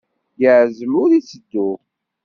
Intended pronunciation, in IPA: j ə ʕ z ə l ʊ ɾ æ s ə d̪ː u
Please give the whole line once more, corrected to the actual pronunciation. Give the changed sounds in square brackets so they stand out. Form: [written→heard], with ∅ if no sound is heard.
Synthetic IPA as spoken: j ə ʕ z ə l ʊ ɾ [æ→i] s ə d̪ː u